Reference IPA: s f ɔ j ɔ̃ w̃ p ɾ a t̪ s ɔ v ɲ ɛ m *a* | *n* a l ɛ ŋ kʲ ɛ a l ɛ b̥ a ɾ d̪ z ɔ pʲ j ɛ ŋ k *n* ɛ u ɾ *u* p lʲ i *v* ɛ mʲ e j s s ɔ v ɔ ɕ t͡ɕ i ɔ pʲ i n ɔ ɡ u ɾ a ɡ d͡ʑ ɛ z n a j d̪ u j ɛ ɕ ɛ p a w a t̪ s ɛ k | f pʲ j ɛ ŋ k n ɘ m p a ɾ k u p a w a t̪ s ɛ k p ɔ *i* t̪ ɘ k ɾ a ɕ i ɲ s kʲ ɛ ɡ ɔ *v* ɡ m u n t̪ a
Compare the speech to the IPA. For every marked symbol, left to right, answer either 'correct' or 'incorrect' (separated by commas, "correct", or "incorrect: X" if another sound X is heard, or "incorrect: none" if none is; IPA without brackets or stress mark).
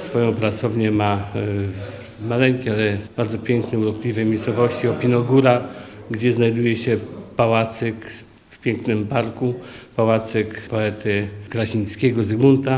correct, incorrect: m, correct, incorrect: ɔ, correct, incorrect: ɛ, incorrect: z